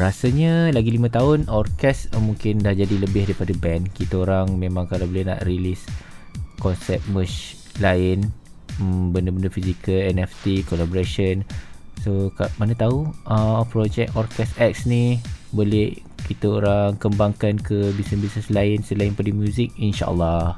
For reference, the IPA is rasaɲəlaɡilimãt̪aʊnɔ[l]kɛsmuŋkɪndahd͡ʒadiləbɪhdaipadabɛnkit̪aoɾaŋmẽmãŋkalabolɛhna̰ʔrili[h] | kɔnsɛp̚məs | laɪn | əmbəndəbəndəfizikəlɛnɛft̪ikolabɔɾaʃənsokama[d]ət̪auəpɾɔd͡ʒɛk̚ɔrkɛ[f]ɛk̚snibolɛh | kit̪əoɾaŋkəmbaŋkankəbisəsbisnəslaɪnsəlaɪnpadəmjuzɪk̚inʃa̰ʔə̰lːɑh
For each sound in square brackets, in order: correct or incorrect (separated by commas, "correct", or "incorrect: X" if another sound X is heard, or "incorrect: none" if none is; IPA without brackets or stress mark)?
incorrect: r, incorrect: s, incorrect: n, incorrect: s